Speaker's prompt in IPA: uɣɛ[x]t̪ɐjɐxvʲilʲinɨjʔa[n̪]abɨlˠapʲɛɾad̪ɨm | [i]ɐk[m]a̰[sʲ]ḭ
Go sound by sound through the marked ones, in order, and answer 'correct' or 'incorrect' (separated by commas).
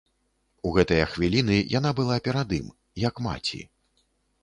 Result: incorrect, correct, incorrect, correct, incorrect